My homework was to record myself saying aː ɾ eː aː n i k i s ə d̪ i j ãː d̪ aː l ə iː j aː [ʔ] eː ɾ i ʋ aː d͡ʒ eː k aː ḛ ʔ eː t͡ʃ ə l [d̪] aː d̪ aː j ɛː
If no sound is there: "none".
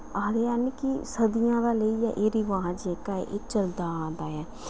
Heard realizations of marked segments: ʔ, d̪

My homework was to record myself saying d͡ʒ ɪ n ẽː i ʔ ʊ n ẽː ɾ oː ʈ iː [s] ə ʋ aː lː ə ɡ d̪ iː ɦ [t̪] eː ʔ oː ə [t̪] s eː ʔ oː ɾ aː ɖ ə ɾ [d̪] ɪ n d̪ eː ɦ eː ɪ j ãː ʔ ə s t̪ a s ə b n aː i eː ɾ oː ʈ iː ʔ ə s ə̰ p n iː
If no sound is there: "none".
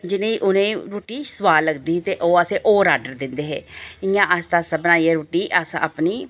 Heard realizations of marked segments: s, t̪, none, d̪

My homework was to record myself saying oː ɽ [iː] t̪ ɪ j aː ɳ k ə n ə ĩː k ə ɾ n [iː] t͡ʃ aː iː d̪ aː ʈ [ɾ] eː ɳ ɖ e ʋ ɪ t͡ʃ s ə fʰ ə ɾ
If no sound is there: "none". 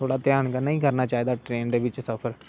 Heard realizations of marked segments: aː, aː, ɾ

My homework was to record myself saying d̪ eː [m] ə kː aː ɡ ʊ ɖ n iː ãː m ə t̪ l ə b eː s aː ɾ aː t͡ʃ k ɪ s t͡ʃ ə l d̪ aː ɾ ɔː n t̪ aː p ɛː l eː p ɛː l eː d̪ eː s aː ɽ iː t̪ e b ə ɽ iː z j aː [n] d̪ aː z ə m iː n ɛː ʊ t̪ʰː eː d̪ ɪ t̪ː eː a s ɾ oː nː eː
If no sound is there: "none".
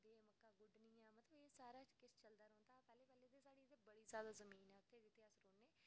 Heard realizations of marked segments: m, none

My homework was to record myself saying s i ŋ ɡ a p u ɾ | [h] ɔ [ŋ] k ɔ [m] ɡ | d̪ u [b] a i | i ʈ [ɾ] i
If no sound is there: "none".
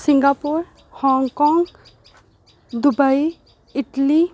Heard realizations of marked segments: h, ŋ, ŋ, b, l

